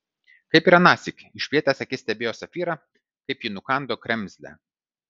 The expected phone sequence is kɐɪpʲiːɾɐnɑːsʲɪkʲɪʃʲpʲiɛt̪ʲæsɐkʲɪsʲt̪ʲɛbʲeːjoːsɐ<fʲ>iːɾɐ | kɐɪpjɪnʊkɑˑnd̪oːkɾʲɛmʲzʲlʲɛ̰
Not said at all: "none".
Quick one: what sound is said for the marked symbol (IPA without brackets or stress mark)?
fʲ